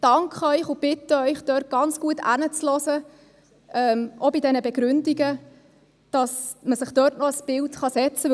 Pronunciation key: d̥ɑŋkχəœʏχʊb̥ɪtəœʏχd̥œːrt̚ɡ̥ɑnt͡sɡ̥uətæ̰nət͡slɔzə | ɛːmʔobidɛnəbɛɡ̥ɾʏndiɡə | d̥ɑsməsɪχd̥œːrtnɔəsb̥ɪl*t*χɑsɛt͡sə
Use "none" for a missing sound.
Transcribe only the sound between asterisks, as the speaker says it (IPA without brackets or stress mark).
t